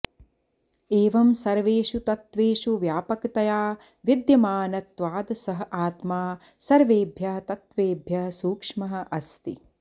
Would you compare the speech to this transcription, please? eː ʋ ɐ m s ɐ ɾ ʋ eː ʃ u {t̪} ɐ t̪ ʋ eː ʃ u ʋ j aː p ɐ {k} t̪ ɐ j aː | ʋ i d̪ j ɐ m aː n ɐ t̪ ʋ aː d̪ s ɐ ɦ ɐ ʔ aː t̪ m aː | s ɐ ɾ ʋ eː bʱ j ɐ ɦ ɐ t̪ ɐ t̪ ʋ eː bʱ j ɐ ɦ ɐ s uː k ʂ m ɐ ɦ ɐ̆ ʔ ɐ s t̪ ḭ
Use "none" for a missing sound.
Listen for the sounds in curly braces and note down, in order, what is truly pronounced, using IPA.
t̪, k

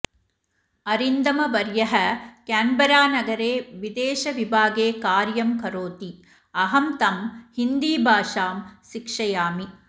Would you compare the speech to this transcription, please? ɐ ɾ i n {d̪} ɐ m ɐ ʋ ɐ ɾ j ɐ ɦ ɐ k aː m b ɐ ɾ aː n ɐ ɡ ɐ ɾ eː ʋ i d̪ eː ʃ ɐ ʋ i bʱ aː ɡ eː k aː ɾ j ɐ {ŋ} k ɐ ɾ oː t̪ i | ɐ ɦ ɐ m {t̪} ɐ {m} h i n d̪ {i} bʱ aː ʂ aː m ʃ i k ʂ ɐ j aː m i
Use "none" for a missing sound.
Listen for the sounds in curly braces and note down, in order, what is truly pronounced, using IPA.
d̪, m, t̪, m, iː

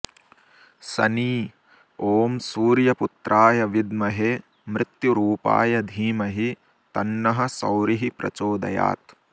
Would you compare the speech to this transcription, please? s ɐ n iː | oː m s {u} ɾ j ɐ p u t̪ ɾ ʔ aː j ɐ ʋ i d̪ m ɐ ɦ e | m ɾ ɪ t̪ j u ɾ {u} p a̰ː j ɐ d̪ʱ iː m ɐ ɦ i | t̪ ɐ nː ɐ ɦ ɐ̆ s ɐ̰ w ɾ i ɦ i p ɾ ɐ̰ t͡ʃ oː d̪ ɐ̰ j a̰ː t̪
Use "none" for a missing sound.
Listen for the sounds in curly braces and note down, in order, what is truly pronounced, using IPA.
uː, uː

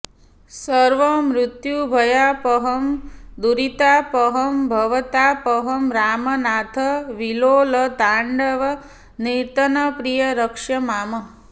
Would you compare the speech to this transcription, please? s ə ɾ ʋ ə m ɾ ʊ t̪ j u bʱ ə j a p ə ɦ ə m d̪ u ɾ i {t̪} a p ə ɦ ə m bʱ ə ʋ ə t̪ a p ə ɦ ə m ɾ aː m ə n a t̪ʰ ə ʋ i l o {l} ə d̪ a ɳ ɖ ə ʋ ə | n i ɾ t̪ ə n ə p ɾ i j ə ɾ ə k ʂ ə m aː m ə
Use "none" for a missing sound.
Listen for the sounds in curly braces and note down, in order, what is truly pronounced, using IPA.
t̪, l

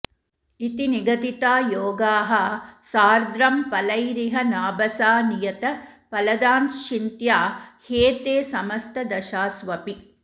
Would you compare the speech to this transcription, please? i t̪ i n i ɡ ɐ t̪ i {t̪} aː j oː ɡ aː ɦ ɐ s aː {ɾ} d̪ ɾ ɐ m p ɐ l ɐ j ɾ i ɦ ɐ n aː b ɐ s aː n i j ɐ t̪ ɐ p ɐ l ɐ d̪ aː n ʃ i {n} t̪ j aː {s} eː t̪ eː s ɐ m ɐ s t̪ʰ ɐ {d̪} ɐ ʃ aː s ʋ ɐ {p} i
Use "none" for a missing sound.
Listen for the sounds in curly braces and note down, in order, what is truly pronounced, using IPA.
t̪, ɾ, n, h, d̪, p

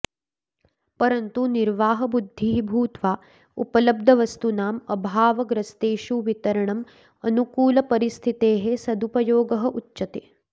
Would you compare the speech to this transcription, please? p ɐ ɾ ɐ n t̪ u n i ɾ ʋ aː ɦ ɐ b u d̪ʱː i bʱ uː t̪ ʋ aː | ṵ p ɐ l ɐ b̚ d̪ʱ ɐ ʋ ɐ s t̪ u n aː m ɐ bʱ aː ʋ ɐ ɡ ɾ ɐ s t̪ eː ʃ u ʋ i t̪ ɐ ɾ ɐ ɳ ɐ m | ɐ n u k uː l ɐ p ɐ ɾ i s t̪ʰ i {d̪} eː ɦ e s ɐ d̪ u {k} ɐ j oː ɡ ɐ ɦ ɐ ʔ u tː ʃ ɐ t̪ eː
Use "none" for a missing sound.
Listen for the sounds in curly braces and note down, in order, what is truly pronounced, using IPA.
t̪, p

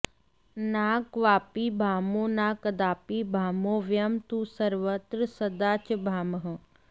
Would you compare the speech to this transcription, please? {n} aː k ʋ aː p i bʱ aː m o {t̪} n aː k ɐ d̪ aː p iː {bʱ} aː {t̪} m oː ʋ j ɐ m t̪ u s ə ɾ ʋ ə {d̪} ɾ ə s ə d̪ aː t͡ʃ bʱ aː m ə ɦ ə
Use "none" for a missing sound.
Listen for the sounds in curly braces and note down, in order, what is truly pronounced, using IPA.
n, none, bʱ, none, t̪

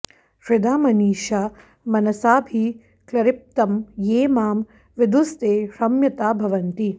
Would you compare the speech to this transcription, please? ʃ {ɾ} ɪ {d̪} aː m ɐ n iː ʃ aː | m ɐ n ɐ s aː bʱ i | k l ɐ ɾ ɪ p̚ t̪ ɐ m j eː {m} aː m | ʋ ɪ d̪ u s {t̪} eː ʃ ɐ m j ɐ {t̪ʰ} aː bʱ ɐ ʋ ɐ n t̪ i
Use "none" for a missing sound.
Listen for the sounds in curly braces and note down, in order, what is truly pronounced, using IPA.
ɾ, d̪, m, t̪, t̪

